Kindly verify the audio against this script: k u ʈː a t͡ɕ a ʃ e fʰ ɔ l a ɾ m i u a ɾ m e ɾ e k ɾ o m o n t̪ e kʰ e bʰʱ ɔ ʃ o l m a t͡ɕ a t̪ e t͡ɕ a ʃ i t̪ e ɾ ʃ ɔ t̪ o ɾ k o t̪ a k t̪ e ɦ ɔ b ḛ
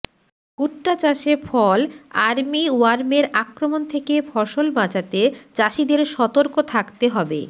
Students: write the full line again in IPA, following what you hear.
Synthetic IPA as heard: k u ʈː a t͡ɕ a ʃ e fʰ ɔ l a ɾ m i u a ɾ m e ɾ a k ɾ o m o n t̪ʰ e k e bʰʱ ɔ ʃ o l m a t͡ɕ a t̪ e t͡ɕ a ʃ i d̪ e ɾ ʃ ɔ t̪ o ɾ k o t̪ʰ a k t̪ e ɦ ɔ b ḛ

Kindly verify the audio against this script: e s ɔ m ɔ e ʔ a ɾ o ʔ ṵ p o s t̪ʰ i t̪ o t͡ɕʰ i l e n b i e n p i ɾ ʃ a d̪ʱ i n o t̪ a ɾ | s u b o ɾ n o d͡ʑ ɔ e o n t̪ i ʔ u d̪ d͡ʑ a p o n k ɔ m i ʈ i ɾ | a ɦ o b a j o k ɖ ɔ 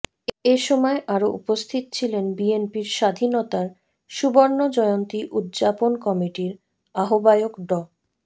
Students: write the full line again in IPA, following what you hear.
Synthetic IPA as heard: e ʃ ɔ m ɔ e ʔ a ɾ o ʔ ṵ p o s t̪ʰ i t̪ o t͡ɕʰ i l e n b i e n p i ɾ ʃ a d̪ʱ i n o t̪ a ɾ | ʃ u b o ɾ n o d͡ʑ ɔ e o n t̪ i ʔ u d̪ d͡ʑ a p o n k ɔ m i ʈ i ɾ | a ɦ o b a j o k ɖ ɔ

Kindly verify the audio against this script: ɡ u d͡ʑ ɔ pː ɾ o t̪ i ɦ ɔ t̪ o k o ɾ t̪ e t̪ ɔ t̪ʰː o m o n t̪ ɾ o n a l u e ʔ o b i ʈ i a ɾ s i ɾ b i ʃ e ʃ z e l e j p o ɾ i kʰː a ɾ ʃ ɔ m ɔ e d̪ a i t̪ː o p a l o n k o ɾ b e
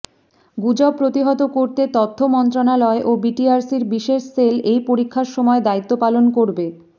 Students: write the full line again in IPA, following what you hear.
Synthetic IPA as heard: ɡ u d͡ʑ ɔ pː ɾ o t̪ i ɦ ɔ t̪ o k o ɾ t̪ e t̪ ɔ t̪ʰː o m ɔ n t̪ ɾ o n a l ɔ e ʔ o b i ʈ i a ɾ s i ɾ b i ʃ e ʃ s e l e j p o ɾ i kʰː a ɾ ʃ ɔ m ɔ e d̪ a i t̪ː o p a l o n k o ɾ b e

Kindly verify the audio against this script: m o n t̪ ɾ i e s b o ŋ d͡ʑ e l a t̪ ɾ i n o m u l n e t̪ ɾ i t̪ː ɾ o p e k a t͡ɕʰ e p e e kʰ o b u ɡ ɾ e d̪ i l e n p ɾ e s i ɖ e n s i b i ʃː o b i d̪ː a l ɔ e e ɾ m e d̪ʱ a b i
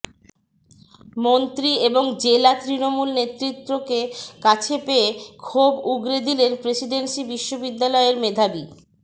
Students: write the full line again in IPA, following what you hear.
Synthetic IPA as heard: m o n t̪ ɾ i e b o ŋ d͡ʑ e l a t̪ ɾ i n o m u l n e t̪ ɾ i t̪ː ɾ o k e k a t͡ɕʰ e p e e kʰ o b u ɡ ɾ e d̪ i l e n p ɾ e s i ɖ e n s i b i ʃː o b i d̪ː a l ɔ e e ɾ m e d̪ʱ a b i

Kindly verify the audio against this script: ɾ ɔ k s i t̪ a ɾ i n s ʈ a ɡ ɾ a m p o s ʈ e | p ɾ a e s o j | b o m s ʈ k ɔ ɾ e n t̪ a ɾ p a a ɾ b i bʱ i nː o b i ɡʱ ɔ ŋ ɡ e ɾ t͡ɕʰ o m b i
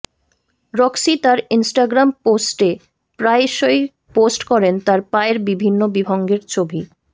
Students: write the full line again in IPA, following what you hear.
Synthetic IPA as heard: ɾ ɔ k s i t̪ a ɾ i n s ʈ a ɡ ɾ a m p o s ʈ e | p ɾ a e ʃ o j | p o s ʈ k ɔ ɾ e n t̪ a ɾ p a e ɾ b i bʱ i nː o b i bʱ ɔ ŋ ɡ e ɾ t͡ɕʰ o b i

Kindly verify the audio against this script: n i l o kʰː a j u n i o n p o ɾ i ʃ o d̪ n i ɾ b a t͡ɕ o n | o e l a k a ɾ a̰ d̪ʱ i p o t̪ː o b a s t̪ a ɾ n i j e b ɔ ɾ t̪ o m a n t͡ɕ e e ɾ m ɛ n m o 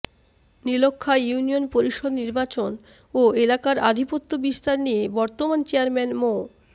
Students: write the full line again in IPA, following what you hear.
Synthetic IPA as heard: n i l o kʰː a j u n i o n p o ɾ i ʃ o d̪ n i ɾ b a t͡ɕ o n | o e l a k a ɾ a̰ d̪ʱ i p o t̪ː o b i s t̪ a ɾ n i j e b ɔ ɾ t̪ o m a n t͡ɕ e a ɾ m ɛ n m o

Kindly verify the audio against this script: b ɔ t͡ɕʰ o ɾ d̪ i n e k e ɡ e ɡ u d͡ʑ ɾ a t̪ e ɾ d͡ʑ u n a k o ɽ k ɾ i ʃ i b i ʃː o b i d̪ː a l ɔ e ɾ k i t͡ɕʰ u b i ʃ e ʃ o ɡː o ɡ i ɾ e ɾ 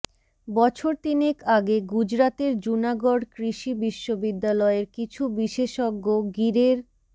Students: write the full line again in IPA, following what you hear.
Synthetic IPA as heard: b ɔ t͡ɕʰ o ɾ t̪ i n e k a ɡ e ɡ u d͡ʑ ɾ a t̪ e ɾ d͡ʑ u n a ɡ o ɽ k ɾ i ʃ i b i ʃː o b i d̪ː a l ɔ e ɾ k i t͡ɕʰ u b i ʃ e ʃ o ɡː o ɡ i ɾ e ɾ

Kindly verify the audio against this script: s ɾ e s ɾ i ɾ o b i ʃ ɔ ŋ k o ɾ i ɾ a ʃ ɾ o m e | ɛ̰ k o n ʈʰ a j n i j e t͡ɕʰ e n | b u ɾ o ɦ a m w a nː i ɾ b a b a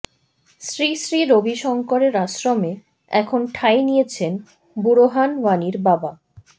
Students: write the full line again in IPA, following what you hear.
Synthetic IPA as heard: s ɾ i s ɾ i ɾ o b i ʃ ɔ ŋ k o ɾ e ɾ a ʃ ɾ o m e | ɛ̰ kʰ o n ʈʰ a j n i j e t͡ɕʰ e n | b u ɾ o ɦ a n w a n i ɾ b a b a

